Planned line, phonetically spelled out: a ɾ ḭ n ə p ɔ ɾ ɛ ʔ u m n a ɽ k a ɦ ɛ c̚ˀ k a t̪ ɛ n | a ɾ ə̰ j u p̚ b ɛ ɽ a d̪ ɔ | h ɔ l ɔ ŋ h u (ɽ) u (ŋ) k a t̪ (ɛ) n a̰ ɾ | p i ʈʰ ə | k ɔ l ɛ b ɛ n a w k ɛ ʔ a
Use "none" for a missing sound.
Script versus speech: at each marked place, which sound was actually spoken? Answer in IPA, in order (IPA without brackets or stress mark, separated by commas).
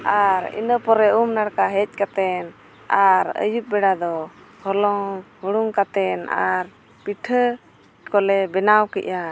ɽ, ŋ, ɛ